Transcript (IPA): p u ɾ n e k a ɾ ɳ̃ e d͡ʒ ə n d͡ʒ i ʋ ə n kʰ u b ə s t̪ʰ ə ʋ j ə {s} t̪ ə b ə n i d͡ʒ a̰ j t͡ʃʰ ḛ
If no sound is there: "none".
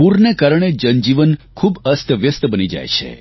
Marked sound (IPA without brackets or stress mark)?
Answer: s